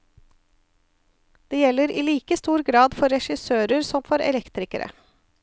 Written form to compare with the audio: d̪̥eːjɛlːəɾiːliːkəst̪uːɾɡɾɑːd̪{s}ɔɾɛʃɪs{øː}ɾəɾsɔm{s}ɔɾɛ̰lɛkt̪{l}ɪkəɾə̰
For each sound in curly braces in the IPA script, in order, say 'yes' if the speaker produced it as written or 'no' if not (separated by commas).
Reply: no, yes, no, no